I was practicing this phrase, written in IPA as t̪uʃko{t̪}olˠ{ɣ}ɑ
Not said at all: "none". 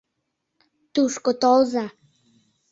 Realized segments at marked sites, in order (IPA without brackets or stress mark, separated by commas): t̪, z